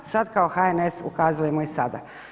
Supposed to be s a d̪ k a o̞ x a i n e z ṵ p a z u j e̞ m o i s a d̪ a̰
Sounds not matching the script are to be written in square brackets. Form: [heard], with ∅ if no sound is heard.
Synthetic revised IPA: s a d̪ k a o̞ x a [e] n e [s] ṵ [k] a z u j e̞ m o i s a d̪ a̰

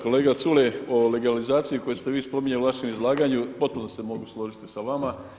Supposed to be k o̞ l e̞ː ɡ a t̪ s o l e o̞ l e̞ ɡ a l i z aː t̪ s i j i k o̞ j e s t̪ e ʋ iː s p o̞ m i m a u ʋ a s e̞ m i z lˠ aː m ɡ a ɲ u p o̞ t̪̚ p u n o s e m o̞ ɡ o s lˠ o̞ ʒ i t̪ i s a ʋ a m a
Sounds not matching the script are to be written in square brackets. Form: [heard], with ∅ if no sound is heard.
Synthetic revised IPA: k o̞ l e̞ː ɡ a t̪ s [u] l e o̞ l e̞ ɡ a l i z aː t̪ s i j i k o̞ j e s t̪ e ʋ iː s p o̞ m i [ɲ] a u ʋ a [ʃ] e̞ m i z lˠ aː [∅] ɡ a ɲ u p o̞ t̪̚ p u n o s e m o̞ ɡ [u] s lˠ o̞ ʒ i t̪ i s a ʋ a m a

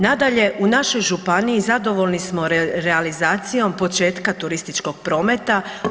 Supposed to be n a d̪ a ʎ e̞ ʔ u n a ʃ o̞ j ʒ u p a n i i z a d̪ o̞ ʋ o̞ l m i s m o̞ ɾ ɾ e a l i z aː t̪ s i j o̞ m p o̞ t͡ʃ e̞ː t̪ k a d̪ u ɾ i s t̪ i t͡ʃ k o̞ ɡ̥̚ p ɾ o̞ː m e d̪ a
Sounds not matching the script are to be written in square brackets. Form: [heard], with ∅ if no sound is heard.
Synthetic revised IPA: n a d̪ a ʎ e̞ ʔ u n a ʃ o̞ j ʒ u p a n i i z a d̪ o̞ ʋ o̞ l [n] i s m o̞ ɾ ɾ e a l i z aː t̪ s i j o̞ m p o̞ t͡ʃ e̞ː t̪ k a [t̪] u ɾ i s t̪ i t͡ʃ k o̞ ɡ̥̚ p ɾ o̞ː m e [t̪] a

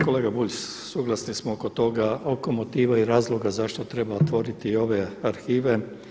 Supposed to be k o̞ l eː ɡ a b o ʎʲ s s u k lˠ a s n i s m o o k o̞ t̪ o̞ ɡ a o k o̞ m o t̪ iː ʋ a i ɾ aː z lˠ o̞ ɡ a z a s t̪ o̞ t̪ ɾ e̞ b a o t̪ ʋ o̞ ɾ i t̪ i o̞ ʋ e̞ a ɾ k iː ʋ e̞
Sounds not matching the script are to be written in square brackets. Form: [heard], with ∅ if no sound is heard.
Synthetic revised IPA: k o̞ l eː ɡ a b [u] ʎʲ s s u [ɡ] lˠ a s n i s m o o k o̞ t̪ o̞ ɡ a o k o̞ m o t̪ iː ʋ a i ɾ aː z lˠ o̞ ɡ a z a [ʃ] t̪ o̞ t̪ ɾ e̞ b a o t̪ ʋ o̞ ɾ i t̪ i o̞ ʋ e̞ a ɾ [x] iː ʋ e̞

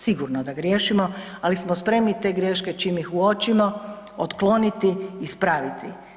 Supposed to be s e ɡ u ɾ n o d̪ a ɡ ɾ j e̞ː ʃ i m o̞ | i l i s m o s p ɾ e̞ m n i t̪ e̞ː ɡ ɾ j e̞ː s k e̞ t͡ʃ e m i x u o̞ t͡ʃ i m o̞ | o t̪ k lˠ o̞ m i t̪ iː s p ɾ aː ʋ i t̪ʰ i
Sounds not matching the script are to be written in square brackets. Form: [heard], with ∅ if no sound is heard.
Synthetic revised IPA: s [i] ɡ u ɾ n o d̪ a ɡ ɾ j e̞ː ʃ i m o̞ | [a] l i s m o s p ɾ e̞ m n i t̪ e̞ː ɡ ɾ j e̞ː [ʃ] k e̞ t͡ʃ [i] m i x u o̞ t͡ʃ i m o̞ | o t̪ k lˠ o̞ [n] i t̪ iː s p ɾ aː ʋ i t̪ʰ i

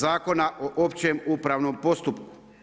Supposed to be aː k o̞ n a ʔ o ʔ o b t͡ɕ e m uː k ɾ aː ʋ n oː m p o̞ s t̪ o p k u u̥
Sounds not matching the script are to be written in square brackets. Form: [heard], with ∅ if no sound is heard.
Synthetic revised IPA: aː k o̞ n a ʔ o ʔ o [p] t͡ɕ e m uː [p] ɾ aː ʋ n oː m p o̞ s t̪ [u] p k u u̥

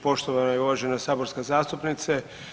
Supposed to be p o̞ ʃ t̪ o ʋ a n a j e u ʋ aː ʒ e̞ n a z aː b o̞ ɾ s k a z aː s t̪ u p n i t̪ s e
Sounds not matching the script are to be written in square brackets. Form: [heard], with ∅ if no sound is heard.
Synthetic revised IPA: p o̞ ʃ t̪ o ʋ a n a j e u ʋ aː ʒ e̞ n a [s] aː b o̞ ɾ s k a z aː s t̪ u p n i t̪ s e

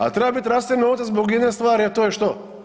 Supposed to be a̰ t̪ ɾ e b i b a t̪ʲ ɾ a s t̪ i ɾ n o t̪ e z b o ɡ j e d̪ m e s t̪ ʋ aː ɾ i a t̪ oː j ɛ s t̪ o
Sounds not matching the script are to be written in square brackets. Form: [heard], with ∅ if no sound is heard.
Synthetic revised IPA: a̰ t̪ ɾ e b [a] b [i] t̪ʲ ɾ a s t̪ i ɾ n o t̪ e z b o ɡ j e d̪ [n] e s t̪ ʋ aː ɾ i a t̪ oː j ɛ [ʃ] t̪ o

